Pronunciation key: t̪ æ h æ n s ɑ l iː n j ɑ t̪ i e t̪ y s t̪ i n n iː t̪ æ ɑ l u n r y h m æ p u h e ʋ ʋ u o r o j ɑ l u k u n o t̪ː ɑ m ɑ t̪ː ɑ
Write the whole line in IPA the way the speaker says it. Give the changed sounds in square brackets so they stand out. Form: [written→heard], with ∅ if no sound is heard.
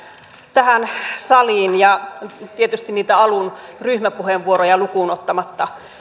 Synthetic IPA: t̪ æ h æ n s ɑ l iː n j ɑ t̪ i e t̪ y s t̪ i n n iː t̪ æ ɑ l u n r y h m æ p u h e ʋ ʋ u o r o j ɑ l u k u n o t̪ː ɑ m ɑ t̪ː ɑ